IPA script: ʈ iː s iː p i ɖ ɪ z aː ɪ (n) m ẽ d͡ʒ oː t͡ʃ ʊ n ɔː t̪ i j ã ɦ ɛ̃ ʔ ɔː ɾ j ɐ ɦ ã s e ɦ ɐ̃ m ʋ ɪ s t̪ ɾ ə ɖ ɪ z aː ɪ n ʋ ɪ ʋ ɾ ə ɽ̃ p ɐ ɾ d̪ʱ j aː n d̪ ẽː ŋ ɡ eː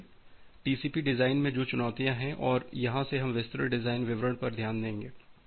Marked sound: correct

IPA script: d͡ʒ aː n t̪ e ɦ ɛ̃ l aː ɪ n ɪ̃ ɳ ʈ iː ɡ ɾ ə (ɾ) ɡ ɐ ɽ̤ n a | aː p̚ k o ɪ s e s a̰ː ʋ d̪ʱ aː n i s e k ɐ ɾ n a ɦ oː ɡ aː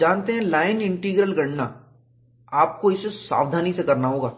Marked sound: incorrect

